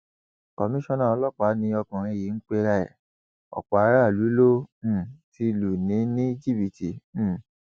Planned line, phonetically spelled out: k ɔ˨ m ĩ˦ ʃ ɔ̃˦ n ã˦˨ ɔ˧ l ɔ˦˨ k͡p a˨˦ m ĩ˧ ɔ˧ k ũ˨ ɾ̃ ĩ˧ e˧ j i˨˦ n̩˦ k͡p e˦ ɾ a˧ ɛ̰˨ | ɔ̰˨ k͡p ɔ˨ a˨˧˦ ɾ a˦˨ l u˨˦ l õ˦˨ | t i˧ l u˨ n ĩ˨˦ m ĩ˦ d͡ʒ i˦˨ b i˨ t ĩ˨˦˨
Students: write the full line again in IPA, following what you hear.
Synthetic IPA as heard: k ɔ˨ m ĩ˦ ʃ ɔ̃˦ n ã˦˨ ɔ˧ l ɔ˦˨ k͡p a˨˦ n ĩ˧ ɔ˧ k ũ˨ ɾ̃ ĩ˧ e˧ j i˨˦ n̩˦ k͡p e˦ ɾ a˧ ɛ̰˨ | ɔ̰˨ k͡p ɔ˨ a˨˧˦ ɾ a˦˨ l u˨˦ l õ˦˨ | t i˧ l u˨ n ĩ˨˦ n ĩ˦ d͡ʒ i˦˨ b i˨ t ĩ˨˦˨